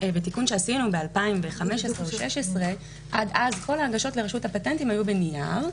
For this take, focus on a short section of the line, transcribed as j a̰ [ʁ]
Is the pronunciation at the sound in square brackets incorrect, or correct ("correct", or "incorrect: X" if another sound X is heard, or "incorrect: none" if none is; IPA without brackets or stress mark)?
correct